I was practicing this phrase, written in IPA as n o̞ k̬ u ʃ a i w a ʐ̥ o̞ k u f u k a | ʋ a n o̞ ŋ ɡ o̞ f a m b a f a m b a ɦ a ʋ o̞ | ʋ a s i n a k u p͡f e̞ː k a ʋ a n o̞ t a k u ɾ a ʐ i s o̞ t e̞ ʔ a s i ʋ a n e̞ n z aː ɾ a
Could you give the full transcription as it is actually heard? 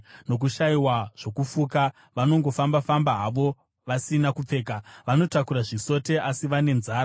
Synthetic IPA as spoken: n o̞ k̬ u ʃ a i w a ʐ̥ o̞ k u f u k a | ʋ a n o̞ ŋ ɡ o̞ f a m b a f a m b a ɦ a ʋ o̞ | ʋ a s i n a k u p͡f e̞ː k a ʋ a n o̞ t a k u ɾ a ʐ i s o̞ t e̞ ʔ a s i ʋ a n e̞ n z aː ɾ a